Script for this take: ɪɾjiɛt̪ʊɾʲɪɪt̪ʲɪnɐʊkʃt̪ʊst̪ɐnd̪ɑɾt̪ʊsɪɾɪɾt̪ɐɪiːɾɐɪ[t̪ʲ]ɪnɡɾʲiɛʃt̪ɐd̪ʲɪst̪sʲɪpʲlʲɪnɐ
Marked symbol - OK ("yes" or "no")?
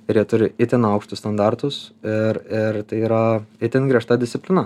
yes